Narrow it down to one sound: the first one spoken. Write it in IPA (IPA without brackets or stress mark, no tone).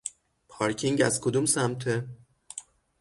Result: pʰ